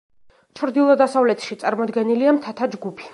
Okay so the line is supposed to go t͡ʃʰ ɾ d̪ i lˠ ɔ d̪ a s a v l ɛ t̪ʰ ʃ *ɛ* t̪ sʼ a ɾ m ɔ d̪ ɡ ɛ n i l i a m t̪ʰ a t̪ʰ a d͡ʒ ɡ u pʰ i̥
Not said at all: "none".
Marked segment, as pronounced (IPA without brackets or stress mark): i